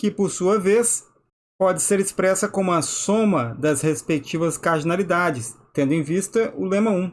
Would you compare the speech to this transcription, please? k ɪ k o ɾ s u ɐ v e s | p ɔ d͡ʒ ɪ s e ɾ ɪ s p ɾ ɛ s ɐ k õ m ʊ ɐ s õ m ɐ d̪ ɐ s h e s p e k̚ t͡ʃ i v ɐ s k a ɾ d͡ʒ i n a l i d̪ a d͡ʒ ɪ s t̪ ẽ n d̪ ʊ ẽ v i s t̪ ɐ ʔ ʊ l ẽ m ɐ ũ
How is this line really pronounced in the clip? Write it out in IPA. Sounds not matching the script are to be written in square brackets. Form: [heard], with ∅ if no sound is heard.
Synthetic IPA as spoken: k ɪ [p] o ɾ s u ɐ v e s | p ɔ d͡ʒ ɪ s e ɾ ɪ s p ɾ ɛ s ɐ k õ m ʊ ɐ s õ m ɐ d̪ ɐ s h e s p e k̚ t͡ʃ i v ɐ s k a ɾ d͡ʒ i n a l i d̪ a d͡ʒ ɪ s t̪ ẽ n d̪ ʊ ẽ v i s t̪ ɐ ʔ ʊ l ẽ m ɐ ũ

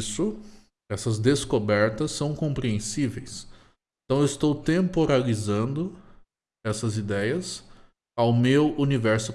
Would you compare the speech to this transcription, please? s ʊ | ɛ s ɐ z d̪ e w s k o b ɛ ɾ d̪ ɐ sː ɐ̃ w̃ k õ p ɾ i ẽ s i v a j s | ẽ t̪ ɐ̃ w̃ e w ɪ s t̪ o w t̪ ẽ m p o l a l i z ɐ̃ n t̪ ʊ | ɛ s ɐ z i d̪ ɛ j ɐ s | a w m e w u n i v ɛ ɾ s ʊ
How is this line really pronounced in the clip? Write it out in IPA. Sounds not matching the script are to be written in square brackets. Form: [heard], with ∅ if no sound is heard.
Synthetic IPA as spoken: s ʊ | ɛ s ɐ z d̪ e [∅] s k o b ɛ ɾ [t̪] ɐ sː ɐ̃ w̃ k õ p ɾ i ẽ s i v [e] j s | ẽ t̪ ɐ̃ w̃ e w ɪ s t̪ o w t̪ ẽ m p o [ɾ] a l i z ɐ̃ n [d̪] ʊ | ɛ s ɐ z i d̪ ɛ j ɐ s | a w m e w u n i v ɛ ɾ s ʊ

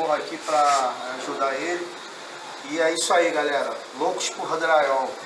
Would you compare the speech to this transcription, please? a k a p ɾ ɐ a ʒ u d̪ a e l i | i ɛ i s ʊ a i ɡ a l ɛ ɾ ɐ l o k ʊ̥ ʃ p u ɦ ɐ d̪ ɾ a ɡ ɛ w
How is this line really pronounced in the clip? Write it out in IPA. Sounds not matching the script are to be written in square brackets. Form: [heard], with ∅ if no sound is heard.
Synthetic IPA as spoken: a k [i] p ɾ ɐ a ʒ u d̪ a e l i | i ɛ i s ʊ a i ɡ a l ɛ ɾ ɐ l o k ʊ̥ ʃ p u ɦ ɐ d̪ ɾ a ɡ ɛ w

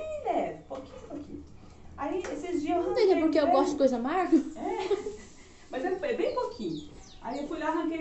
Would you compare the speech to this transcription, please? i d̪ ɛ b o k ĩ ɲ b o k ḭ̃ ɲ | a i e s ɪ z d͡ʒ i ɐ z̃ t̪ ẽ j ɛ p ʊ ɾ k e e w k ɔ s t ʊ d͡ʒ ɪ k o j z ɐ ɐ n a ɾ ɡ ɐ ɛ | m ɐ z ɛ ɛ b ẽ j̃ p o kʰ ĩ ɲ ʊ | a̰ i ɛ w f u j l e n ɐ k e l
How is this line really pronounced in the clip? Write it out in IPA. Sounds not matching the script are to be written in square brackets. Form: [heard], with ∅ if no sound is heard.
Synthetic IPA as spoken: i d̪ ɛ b o k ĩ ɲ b o k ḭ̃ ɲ | a i e s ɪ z d͡ʒ i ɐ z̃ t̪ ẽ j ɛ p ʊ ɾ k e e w [ɡ] ɔ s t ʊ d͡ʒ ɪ k o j z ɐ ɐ [m] a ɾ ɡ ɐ ɛ | m ɐ z ɛ ɛ b ẽ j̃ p o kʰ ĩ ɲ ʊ | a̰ i [e] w f u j l [a] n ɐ k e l

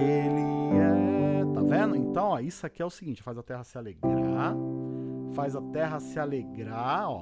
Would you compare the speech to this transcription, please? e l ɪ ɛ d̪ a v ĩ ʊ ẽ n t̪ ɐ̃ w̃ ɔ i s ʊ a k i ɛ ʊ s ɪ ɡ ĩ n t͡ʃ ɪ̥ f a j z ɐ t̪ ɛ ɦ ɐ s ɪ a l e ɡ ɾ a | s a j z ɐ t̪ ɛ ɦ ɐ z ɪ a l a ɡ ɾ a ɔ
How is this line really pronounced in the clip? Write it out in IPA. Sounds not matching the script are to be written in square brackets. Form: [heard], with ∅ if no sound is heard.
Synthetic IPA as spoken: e l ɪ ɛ [t̪] a v [ẽ] ʊ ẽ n t̪ ɐ̃ w̃ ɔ i s ʊ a k i ɛ ʊ s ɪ ɡ ĩ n t͡ʃ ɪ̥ f a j z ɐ t̪ ɛ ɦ ɐ s ɪ a l e ɡ ɾ a | [f] a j z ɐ t̪ ɛ ɦ ɐ [s] ɪ a l [e] ɡ ɾ a ɔ

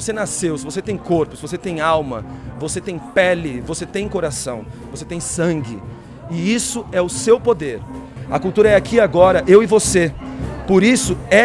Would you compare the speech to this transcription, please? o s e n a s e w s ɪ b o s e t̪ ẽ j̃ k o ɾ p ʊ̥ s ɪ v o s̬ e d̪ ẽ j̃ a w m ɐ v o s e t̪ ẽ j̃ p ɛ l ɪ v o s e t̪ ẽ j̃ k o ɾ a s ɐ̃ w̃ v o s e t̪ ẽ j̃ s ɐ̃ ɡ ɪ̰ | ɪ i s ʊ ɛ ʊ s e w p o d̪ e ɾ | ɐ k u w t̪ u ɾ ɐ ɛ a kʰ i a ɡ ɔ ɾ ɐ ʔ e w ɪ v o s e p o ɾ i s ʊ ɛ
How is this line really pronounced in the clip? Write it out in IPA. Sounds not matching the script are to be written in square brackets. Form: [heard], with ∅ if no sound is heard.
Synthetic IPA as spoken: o s e n a s e w s ɪ [v] o s e t̪ ẽ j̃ k o ɾ p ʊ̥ s ɪ v o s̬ e [t̪] ẽ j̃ a w m ɐ v o s e t̪ ẽ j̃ p ɛ l ɪ v o s e t̪ ẽ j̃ k o ɾ a s ɐ̃ w̃ v o s e t̪ ẽ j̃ s ɐ̃ ɡ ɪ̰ | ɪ i s ʊ ɛ ʊ s e w p o d̪ e ɾ | ɐ k u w t̪ u ɾ ɐ ɛ a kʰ i a ɡ ɔ ɾ ɐ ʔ e w ɪ v o s e p o ɾ i s ʊ ɛ

